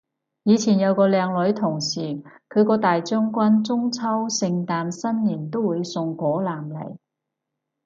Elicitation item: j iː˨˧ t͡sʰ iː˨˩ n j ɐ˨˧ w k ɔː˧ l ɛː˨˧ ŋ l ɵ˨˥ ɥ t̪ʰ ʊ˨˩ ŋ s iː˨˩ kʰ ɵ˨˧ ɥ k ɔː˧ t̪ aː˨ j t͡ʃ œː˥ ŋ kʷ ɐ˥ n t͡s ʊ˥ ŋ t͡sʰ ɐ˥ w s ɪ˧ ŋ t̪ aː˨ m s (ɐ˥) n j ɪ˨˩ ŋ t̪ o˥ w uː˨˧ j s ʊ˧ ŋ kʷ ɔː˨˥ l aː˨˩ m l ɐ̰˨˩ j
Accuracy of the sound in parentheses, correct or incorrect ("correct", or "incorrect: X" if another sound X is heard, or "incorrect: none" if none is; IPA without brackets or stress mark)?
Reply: correct